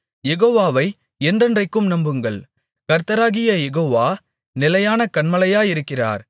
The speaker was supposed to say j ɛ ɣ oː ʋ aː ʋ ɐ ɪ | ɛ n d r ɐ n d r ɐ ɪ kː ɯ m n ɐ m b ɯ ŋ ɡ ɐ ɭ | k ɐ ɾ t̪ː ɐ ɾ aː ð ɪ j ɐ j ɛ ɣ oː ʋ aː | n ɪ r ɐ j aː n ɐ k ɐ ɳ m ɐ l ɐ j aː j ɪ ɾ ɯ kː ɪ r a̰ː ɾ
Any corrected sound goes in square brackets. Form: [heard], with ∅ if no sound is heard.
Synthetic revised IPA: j ɛ ɣ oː ʋ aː ʋ ɐ ɪ | ɛ n d r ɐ n d r ɐ ɪ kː ɯ m n ɐ m b ɯ ŋ ɡ ɐ ɭ | k ɐ ɾ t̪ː ɐ ɾ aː [ɣ] ɪ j ɐ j ɛ ɣ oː ʋ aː | n ɪ [l] ɐ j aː n ɐ k ɐ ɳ m ɐ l ɐ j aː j ɪ ɾ ɯ kː ɪ r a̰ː ɾ